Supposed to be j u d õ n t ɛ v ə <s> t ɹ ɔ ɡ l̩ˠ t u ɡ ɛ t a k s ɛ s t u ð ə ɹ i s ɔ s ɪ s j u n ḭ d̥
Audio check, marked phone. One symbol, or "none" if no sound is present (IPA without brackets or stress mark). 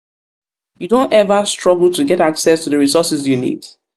s